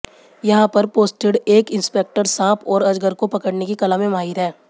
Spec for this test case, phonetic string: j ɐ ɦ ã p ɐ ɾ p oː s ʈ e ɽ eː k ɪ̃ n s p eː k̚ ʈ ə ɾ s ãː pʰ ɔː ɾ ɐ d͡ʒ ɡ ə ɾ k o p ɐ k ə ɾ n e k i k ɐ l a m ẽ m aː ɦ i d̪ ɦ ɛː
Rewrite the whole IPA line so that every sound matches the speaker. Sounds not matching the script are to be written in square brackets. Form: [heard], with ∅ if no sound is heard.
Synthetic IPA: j ɐ ɦ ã p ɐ ɾ p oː s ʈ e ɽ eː k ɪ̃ n s p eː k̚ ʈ ə ɾ s ãː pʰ ɔː ɾ ɐ d͡ʒ ɡ ə ɾ k o p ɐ k ə [ɽ] n e k i k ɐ l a m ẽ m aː ɦ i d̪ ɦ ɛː